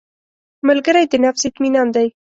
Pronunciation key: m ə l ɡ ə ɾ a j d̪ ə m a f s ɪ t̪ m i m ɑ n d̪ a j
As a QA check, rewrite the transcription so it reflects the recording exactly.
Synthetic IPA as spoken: m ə l ɡ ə ɾ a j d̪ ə n a f s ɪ t̪ m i n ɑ n d̪ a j